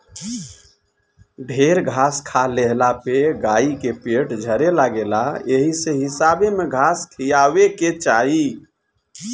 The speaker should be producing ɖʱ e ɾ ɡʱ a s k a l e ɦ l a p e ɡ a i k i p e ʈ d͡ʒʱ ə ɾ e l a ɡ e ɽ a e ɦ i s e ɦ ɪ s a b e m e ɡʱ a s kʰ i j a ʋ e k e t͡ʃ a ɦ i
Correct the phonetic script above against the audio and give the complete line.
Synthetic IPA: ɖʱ e ɾ ɡʱ a s kʰ a l e ɦ l a p e ɡ a i k e p e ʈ d͡ʒʱ ə ɾ e l a ɡ e l a e ɦ i s e ɦ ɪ s a b e m e ɡʱ a s kʰ i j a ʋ e k e t͡ʃ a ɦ i